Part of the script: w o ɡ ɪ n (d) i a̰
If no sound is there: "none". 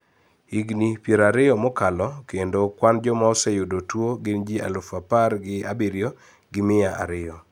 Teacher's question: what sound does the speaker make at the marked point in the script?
d͡ʒ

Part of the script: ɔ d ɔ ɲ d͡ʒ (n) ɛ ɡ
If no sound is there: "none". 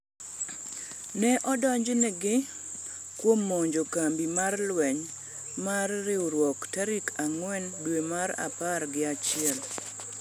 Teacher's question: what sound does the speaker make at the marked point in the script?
n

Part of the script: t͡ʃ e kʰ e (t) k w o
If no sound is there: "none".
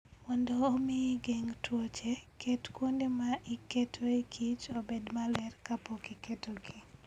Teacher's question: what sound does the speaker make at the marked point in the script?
t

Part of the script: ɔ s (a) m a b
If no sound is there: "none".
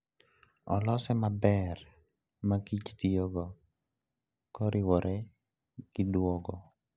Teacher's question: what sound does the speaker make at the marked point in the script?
ɛ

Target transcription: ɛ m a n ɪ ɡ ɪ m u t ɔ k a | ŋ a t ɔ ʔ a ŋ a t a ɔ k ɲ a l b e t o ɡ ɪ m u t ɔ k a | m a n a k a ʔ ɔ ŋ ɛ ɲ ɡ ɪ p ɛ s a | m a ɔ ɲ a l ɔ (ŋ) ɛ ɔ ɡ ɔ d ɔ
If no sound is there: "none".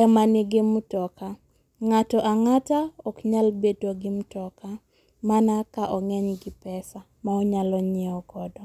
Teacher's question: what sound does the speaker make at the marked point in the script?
ɲ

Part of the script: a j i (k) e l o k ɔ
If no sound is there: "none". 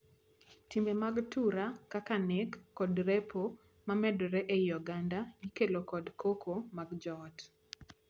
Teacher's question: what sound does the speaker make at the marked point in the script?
k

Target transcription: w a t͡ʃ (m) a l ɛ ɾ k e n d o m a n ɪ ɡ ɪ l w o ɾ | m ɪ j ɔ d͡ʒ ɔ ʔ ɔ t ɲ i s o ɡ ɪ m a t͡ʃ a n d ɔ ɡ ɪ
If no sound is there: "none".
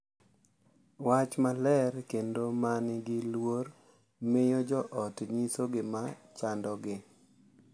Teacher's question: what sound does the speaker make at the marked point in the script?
m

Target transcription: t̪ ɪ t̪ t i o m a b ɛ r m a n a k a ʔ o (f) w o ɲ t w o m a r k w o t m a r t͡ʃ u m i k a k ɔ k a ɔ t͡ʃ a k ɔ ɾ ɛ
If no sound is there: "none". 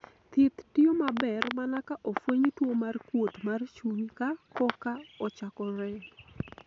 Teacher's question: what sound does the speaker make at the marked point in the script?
f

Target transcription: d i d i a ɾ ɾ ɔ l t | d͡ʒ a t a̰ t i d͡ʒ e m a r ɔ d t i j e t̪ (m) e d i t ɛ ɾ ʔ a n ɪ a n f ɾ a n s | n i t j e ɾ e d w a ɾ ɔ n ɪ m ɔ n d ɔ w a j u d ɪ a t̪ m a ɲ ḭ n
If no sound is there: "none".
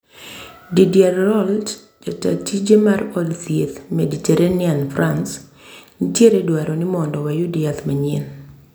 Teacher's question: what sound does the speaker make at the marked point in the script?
m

